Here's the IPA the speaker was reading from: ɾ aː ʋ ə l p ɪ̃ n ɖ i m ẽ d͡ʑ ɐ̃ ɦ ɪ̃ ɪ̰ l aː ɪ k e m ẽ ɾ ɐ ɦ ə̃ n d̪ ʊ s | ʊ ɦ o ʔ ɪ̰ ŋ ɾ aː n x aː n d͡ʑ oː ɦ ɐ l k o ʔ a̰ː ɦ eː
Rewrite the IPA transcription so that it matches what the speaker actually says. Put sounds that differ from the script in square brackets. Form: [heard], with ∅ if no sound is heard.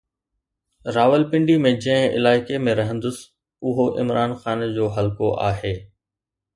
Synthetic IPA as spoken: ɾ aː ʋ ə l p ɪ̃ [ɳ] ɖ i m ẽ d͡ʑ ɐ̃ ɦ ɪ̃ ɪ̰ l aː ɪ k e m ẽ ɾ ɐ ɦ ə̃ n d̪ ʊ s | ʊ ɦ o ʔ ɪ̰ [m] ɾ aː n x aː n d͡ʑ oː ɦ ɐ l k o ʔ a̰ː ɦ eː

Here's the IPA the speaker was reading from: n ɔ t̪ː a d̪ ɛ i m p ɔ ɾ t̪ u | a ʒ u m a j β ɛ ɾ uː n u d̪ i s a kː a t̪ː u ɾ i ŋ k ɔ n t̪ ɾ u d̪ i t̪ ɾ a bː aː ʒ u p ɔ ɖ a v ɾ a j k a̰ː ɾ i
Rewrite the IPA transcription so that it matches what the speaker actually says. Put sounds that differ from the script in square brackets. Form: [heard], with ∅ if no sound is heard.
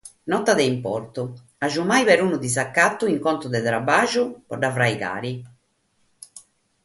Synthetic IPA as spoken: n ɔ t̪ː a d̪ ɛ i m p ɔ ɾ t̪ u | a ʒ u m a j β ɛ ɾ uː n u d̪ i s a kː a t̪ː u [∅] i ŋ k ɔ n t̪ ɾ u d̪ [ɛ] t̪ ɾ a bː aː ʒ u p ɔ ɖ a v ɾ a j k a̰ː ɾ i

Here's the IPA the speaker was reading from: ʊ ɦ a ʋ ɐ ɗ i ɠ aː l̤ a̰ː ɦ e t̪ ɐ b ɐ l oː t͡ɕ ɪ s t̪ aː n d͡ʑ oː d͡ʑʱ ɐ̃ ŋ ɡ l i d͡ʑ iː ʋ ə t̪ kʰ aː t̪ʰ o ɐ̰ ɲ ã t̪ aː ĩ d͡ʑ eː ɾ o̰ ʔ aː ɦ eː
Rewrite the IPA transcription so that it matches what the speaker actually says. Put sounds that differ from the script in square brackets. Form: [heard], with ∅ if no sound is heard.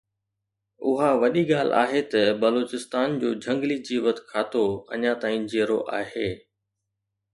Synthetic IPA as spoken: ʊ ɦ a ʋ ɐ ɗ i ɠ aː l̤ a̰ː ɦ e t̪ ɐ b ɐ l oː t͡ɕ ɪ s t̪ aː n d͡ʑ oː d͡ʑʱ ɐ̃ ŋ ɡ l i d͡ʑ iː ʋ ə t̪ kʰ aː [t̪] o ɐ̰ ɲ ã t̪ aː ĩ d͡ʑ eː ɾ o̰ ʔ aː ɦ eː

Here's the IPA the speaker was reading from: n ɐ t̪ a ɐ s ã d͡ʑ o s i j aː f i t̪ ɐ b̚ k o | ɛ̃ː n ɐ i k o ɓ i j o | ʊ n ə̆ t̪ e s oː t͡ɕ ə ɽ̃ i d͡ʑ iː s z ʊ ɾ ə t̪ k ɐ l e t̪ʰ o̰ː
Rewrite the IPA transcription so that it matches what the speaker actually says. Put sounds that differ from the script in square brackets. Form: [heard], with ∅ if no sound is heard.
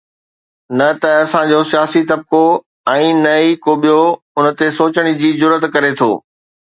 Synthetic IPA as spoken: n ɐ t̪ [ɐ] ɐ s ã d͡ʑ o s i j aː [s] i t̪ ɐ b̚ k o | ɛ̃ː n ɐ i k o ɓ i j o | ʊ n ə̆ t̪ e s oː t͡ɕ ə ɽ̃ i d͡ʑ iː [∅] z ʊ ɾ ə t̪ k ɐ [ɾ] e t̪ʰ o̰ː

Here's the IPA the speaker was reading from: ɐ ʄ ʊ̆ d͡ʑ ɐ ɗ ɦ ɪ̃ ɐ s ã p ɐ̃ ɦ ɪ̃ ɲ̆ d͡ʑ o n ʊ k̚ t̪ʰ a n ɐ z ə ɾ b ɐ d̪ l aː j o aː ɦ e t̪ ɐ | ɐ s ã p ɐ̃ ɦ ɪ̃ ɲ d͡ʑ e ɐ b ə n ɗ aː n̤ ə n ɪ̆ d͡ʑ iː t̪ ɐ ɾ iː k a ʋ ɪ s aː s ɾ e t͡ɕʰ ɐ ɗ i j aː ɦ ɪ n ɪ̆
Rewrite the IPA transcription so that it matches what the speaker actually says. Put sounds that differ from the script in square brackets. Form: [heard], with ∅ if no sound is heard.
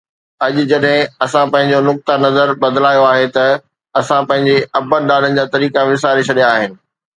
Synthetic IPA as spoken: ɐ ʄ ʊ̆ d͡ʑ ɐ ɗ ɦ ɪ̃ ɐ s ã p ɐ̃ ɦ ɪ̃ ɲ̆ d͡ʑ o n ʊ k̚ [t̪] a n ɐ z ə ɾ b ɐ d̪ l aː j o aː ɦ e t̪ ɐ | ɐ s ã p ɐ̃ ɦ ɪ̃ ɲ d͡ʑ e ɐ b ə n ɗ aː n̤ ə n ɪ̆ d͡ʑ [aː] t̪ ɐ ɾ iː k a ʋ ɪ s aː [∅] ɾ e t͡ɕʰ ɐ ɗ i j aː ɦ ɪ n ɪ̆

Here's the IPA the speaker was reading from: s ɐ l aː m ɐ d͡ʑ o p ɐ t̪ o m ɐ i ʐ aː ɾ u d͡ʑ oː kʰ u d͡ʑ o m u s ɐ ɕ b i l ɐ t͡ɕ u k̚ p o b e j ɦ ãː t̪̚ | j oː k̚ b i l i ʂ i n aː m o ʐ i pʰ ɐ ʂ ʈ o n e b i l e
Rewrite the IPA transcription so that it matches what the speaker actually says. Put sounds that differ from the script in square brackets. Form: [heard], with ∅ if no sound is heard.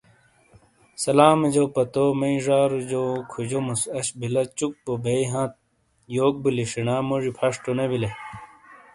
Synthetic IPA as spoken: s ɐ l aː m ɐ d͡ʑ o p ɐ t̪ o m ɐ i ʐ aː ɾ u d͡ʑ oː kʰ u d͡ʑ o m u s ɐ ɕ b i l ɐ t͡ɕ u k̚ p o b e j ɦ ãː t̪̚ | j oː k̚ b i l i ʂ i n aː m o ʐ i pʰ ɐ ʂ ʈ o n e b i l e

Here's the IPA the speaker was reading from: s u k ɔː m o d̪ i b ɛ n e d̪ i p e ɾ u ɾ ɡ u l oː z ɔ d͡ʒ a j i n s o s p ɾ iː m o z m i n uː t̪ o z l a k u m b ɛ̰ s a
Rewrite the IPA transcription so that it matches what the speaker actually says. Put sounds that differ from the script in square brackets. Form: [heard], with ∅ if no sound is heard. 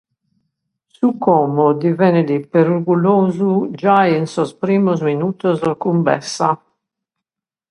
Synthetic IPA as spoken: s u k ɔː m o d̪ i [v] ɛ n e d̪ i p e ɾ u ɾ ɡ u l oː z [u] d͡ʒ a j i n s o s p ɾ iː m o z m i n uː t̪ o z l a k u m b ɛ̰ s a

